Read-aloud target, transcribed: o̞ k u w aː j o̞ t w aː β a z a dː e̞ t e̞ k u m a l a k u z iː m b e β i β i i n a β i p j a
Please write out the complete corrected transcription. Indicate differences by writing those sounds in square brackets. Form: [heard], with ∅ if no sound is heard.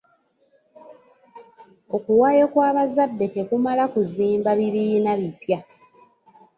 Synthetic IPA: o̞ k u w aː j o̞ [k] w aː β a z a dː e̞ t e̞ k u m a l a k u z iː m b [a] β i β i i n a β i p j a